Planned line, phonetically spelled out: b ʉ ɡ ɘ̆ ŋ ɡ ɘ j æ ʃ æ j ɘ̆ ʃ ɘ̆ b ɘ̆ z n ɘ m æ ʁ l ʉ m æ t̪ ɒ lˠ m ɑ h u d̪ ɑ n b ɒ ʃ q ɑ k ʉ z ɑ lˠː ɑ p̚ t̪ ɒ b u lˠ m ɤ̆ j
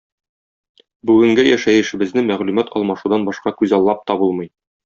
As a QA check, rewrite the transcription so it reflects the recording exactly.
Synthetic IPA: b ʉ ɡ ɘ̆ ŋ ɡ ɘ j æ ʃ æ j ɘ̆ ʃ ɘ̆ b ɘ̆ z n ɘ m æ ʁ l ʉ m æ t̪ ɒ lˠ m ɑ ʃ u d̪ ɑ n b ɒ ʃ q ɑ k ʉ z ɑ lˠː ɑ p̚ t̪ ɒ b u lˠ m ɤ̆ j